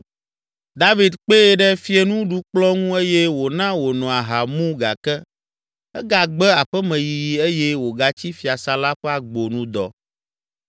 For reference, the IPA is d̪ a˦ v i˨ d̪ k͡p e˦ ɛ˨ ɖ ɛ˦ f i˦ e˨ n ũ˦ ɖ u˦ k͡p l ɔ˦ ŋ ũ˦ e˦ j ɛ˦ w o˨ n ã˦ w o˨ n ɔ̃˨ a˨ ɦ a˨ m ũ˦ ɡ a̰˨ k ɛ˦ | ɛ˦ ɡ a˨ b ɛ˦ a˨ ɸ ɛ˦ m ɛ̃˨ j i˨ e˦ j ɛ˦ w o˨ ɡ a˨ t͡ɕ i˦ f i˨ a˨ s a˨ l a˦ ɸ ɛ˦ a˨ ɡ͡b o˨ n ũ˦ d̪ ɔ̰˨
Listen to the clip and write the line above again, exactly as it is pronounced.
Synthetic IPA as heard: d̪ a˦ v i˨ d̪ k͡p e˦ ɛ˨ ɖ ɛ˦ f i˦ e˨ n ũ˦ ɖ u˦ k͡p l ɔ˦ ŋ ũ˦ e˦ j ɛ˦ w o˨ n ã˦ w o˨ n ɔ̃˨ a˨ ɦ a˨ m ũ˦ ɡ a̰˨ k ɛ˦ | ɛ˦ ɡ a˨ ɡ͡b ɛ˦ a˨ ɸ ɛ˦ m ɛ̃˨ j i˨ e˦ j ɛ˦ w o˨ ɡ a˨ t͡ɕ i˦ f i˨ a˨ s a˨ l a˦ ɸ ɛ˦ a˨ ɡ͡b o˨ n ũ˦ d̪ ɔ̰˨